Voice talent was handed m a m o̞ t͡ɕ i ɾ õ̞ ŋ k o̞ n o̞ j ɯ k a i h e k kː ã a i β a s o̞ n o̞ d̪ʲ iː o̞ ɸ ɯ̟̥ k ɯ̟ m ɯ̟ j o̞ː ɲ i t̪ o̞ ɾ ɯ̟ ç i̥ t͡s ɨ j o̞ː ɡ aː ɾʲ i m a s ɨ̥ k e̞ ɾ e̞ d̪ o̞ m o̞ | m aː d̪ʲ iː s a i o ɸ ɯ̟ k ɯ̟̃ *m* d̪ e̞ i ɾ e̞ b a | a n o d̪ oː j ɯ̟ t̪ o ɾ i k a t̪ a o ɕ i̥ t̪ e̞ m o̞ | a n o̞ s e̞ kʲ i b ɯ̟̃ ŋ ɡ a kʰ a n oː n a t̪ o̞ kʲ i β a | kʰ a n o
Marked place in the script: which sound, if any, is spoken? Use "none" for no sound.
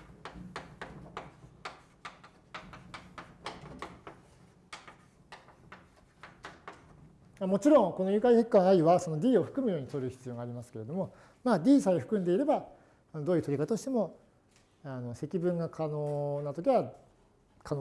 n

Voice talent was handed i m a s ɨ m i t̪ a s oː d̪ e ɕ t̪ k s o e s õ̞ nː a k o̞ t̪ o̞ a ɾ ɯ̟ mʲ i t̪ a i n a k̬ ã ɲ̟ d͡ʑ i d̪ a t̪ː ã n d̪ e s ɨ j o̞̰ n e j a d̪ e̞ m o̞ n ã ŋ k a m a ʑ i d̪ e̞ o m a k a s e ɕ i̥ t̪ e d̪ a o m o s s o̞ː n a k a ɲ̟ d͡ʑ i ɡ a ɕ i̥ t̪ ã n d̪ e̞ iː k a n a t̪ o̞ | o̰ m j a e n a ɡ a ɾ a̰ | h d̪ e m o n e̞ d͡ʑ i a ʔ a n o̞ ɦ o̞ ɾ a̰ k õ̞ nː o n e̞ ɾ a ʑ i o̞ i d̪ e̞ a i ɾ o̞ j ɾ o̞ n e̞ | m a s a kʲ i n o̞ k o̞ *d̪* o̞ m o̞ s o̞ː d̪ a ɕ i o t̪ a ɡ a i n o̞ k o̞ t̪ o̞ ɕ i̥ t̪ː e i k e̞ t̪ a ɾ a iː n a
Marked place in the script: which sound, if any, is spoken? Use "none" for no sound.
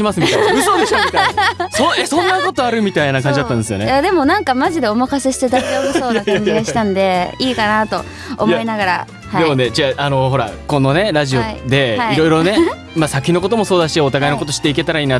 t̪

